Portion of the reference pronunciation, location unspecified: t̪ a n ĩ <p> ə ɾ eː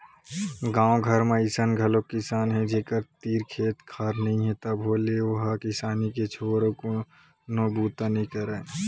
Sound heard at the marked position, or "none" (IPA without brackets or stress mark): k